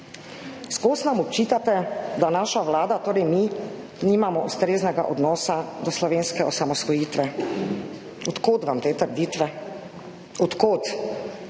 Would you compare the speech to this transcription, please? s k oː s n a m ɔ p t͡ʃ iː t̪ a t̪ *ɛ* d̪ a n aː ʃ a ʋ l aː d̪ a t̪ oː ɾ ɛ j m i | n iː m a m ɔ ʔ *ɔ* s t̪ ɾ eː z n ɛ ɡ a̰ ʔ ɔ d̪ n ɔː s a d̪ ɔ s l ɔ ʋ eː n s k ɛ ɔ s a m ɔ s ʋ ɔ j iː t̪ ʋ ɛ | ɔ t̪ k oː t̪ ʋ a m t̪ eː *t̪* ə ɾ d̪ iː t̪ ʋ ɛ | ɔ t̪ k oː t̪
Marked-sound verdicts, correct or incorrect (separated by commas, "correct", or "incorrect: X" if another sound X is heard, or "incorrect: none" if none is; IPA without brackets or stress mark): correct, incorrect: u, correct